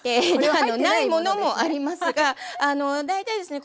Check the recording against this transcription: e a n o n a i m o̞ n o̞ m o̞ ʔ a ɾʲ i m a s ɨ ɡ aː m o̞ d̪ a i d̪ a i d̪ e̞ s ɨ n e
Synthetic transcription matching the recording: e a n o n a i m o̞ n o̞ m o̞ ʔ a ɾʲ i m a s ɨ ɡ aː n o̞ d̪ a i t̪ a i d̪ e̞ s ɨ n e